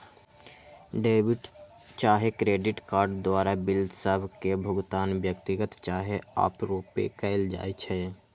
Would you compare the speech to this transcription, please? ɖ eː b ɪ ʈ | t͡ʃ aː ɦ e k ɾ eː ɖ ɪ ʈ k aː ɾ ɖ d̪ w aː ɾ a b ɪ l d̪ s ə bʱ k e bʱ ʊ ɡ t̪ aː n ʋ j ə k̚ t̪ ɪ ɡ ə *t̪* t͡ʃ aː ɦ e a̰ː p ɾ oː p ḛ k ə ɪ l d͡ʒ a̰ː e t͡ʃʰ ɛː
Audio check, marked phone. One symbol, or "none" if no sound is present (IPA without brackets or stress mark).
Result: t̪